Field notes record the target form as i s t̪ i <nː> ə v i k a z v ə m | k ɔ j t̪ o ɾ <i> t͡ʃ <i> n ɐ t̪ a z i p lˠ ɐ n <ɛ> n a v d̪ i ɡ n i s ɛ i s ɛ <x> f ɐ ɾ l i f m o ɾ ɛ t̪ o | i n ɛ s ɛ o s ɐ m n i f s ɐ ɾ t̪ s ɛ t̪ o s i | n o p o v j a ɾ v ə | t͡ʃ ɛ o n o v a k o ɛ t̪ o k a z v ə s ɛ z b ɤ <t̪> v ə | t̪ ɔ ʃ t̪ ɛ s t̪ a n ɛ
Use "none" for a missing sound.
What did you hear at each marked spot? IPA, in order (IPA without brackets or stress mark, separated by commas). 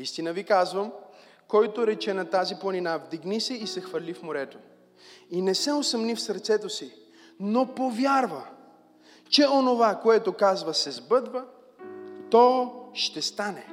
n, ɛ, ɛ, i, x, d̪